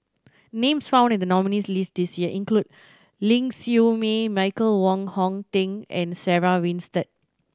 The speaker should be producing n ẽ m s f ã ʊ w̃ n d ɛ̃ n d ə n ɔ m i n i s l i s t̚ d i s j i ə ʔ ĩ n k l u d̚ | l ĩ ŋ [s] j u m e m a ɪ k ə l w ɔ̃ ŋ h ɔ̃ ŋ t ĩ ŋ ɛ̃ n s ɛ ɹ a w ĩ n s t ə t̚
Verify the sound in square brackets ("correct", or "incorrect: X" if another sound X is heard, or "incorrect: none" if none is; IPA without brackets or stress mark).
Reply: correct